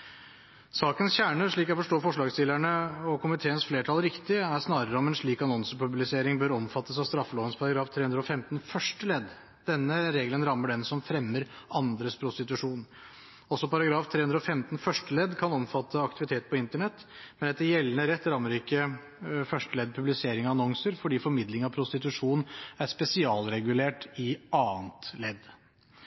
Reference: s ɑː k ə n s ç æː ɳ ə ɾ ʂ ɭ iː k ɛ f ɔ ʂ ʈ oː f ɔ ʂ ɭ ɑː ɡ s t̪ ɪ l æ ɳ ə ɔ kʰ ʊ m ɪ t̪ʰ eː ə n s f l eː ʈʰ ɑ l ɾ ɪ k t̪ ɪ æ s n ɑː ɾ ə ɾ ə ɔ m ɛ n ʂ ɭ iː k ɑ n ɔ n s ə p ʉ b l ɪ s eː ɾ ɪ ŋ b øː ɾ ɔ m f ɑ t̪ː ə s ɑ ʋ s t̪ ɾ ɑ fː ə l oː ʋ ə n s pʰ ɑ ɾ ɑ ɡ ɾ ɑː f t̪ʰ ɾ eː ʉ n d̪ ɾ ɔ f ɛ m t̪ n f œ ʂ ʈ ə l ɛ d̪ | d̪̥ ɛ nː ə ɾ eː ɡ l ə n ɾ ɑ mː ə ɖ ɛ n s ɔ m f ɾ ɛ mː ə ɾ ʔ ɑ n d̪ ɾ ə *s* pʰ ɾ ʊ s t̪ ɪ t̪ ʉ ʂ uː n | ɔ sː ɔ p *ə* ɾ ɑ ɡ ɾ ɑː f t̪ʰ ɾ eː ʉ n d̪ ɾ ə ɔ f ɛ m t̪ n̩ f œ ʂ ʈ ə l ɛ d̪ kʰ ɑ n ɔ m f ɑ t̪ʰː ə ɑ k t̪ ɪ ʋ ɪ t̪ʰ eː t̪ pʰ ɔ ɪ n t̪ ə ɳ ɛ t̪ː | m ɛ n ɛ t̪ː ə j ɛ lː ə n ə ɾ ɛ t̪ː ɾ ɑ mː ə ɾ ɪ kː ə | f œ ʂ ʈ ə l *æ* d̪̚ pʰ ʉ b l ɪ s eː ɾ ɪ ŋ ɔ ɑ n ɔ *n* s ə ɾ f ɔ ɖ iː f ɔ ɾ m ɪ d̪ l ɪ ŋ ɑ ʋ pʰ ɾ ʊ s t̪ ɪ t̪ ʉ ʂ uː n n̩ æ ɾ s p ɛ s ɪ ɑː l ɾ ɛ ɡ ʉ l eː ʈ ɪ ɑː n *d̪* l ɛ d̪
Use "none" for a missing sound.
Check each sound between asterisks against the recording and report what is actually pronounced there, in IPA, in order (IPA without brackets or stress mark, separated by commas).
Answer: s, ɑ, ɛ, ŋ, t̪